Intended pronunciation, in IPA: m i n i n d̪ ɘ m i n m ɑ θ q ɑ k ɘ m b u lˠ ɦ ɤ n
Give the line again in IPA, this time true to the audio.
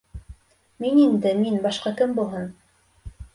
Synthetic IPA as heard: m i n i n d̪ ɘ m i n b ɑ ʃ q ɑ k ɘ m b u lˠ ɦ ɤ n